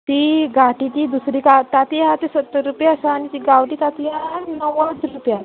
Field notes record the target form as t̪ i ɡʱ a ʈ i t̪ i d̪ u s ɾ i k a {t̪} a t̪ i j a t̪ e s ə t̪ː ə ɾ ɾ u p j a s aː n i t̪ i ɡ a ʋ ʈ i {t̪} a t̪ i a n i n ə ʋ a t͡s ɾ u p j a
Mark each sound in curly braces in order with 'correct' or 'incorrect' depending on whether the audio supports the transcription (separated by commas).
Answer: correct, correct